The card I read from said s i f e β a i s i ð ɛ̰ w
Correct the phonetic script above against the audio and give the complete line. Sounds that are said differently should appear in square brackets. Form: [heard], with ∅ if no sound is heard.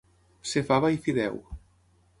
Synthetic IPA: s [e] f [a] β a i [f] i ð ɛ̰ w